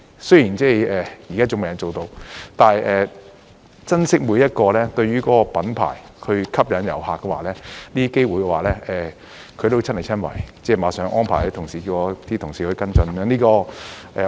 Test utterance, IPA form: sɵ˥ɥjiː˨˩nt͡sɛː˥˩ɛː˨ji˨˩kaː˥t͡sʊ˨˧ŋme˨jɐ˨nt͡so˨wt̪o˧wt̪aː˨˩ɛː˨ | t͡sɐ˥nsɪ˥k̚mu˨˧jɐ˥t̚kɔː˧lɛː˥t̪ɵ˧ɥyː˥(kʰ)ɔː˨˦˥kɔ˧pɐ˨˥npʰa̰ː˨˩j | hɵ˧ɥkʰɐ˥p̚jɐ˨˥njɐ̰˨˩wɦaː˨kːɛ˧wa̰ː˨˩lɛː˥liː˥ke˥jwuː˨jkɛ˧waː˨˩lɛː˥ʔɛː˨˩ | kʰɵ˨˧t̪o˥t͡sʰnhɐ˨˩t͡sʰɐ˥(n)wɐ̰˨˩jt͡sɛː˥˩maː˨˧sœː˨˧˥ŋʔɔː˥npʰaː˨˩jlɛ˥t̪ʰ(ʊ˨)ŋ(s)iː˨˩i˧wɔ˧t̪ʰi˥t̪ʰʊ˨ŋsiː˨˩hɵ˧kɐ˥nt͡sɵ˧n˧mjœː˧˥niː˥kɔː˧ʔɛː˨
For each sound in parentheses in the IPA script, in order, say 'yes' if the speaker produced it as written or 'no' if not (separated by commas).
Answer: no, yes, yes, yes